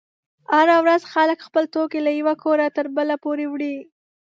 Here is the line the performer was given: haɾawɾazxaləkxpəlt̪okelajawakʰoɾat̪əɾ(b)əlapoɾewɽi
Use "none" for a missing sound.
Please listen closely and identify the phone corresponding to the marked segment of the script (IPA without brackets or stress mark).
b